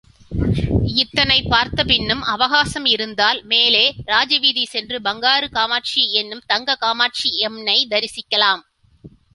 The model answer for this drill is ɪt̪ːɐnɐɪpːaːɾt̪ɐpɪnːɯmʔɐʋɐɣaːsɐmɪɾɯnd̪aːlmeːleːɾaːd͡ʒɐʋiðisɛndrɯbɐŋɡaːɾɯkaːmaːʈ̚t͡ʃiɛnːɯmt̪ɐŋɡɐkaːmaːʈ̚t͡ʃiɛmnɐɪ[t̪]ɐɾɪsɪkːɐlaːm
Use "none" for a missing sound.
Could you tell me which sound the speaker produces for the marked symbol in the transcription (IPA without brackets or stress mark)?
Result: d̪